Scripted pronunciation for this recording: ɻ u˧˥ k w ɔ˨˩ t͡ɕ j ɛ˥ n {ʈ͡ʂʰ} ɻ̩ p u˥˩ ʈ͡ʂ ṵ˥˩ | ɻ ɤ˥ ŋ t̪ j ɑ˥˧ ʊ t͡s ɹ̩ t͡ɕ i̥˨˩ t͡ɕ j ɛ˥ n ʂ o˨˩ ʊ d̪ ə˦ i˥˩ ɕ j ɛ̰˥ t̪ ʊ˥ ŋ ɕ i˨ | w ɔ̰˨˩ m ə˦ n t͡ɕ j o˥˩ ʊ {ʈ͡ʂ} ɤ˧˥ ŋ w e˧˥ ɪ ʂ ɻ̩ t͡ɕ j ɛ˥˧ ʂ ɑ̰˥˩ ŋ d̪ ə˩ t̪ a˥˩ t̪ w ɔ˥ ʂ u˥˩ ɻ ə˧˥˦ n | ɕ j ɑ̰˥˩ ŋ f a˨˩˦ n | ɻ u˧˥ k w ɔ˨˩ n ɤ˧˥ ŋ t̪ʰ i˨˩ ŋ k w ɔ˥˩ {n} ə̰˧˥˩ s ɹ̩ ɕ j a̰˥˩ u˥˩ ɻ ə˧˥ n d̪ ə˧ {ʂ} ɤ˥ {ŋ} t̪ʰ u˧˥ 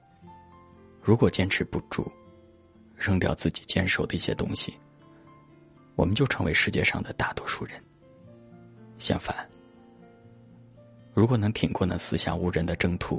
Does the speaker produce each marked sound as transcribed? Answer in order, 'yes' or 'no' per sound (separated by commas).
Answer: yes, no, yes, no, yes